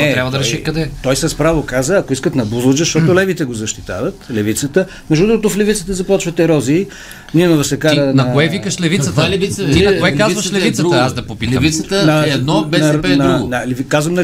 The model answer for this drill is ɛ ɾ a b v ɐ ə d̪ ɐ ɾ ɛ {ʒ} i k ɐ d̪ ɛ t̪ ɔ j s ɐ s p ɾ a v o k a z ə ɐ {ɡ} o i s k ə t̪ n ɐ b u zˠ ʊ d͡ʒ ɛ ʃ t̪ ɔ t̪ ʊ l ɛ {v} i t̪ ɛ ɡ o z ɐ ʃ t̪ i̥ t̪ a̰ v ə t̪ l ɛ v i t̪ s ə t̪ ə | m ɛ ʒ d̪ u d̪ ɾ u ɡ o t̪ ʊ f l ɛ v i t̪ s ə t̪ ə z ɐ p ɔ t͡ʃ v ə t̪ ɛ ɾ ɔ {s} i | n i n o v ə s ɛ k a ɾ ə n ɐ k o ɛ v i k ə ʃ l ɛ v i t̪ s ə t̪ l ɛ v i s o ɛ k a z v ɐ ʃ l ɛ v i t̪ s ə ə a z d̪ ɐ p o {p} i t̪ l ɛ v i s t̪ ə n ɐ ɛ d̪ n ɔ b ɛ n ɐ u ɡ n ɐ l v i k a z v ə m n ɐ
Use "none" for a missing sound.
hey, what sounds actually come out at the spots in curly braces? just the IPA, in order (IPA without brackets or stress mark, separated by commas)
ʃ, k, v, z, p